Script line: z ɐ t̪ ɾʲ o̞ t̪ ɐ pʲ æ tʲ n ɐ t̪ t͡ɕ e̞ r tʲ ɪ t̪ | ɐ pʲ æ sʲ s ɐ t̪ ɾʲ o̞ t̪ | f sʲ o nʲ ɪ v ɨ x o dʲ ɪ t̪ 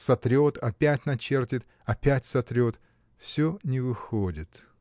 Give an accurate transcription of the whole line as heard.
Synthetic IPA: s ɐ t̪ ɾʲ o̞ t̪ ɐ pʲ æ tʲ n ɐ t͡ɕ e̞ r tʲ ɪ t̪ | ɐ pʲ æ tʲ s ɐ t̪ ɾʲ o̞ t̪ | f sʲ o nʲ ɪ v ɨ x o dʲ ɪ t̪